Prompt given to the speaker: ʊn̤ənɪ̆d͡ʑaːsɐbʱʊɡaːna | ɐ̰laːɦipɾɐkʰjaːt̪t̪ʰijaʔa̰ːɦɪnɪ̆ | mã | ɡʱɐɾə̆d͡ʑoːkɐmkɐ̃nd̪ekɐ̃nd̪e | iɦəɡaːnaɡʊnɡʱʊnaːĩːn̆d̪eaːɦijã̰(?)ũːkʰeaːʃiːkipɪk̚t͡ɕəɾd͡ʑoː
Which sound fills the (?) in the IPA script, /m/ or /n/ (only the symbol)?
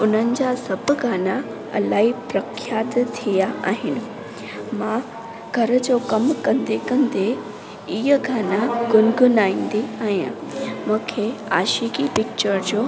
m